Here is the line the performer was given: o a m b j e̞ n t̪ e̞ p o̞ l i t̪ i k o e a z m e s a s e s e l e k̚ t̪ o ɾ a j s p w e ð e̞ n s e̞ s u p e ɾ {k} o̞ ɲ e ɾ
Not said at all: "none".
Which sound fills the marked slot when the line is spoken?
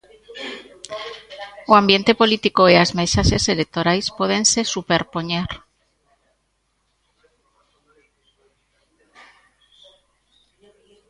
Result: p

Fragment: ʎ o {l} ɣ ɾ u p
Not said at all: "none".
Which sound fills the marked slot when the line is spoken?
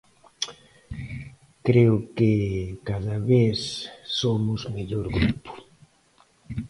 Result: ɾ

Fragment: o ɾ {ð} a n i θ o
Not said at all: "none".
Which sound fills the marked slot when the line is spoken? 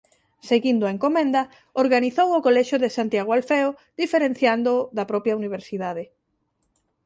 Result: ɣ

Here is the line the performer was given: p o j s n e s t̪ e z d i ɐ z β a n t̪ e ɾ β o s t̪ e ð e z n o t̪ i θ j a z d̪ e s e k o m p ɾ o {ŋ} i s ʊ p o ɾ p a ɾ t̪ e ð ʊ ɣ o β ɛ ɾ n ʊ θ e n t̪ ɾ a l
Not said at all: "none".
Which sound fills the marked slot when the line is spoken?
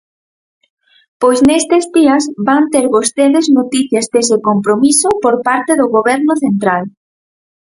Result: m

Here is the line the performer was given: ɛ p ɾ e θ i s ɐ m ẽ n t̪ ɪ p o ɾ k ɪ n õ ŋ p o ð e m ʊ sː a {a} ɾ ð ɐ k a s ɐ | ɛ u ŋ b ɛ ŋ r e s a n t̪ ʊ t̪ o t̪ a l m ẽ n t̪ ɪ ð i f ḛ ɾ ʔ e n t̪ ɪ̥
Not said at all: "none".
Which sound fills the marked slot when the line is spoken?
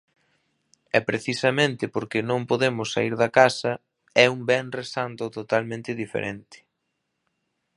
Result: i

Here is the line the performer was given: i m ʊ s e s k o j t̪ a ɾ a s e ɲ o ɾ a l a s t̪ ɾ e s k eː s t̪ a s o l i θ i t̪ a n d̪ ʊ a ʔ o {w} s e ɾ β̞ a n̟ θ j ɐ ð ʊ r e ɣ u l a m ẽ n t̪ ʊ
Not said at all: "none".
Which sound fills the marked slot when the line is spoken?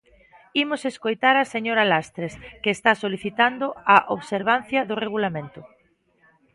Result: β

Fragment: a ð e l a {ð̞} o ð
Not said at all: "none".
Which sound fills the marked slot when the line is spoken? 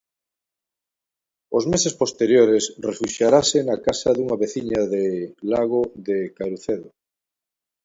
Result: ɣ̞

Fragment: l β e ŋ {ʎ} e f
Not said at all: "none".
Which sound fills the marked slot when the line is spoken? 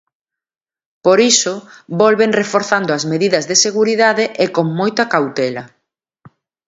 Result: r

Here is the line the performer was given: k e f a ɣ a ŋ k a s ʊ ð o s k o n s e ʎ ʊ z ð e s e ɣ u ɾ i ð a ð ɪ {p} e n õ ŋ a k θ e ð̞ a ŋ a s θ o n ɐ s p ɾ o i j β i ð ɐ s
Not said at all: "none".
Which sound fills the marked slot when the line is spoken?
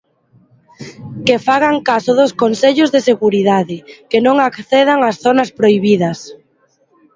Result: k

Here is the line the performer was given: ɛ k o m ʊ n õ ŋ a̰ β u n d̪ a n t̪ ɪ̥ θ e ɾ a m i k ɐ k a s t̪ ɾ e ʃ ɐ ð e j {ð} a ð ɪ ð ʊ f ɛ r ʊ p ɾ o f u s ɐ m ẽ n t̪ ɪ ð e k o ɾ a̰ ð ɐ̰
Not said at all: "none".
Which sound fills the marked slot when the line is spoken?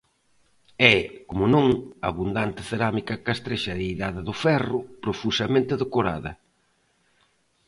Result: ð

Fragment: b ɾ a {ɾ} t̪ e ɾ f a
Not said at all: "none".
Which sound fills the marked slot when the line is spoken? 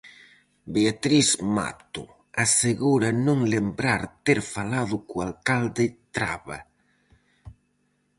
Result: ɾ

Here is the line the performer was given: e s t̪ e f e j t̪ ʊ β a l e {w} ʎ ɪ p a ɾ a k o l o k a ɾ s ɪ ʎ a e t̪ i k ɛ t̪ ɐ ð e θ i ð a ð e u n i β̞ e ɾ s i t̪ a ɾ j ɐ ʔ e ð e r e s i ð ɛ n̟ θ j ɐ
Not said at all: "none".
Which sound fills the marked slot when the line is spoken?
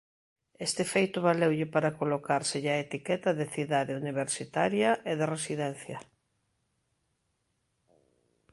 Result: w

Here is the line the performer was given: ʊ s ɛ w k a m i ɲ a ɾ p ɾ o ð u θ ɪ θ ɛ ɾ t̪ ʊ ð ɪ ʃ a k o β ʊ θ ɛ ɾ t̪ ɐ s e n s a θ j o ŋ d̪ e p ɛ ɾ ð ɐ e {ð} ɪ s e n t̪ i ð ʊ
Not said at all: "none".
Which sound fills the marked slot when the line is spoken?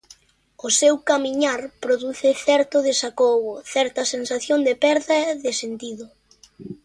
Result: ð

